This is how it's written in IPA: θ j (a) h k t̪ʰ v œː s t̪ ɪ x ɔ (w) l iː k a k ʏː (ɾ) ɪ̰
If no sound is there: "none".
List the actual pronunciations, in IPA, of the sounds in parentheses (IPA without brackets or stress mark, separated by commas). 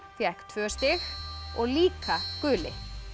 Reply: ɛ, ɣ, l